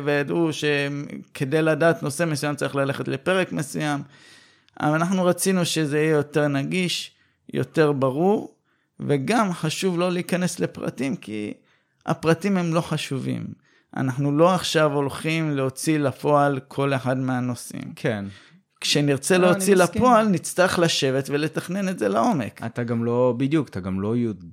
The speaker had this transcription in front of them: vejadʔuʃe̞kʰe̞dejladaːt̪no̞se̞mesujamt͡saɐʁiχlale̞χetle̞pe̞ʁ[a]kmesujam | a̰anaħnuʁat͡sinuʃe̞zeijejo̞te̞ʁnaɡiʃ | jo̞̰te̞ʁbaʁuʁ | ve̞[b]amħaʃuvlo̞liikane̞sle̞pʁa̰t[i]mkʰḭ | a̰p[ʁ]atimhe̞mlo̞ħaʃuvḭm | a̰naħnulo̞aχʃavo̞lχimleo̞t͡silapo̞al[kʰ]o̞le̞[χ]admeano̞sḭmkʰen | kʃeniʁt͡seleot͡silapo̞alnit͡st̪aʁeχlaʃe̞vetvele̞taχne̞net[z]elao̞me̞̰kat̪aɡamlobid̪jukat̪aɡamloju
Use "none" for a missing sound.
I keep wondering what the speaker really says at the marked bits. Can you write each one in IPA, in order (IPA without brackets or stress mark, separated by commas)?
e, ɡ, i, ʁ, kʰ, ħ, z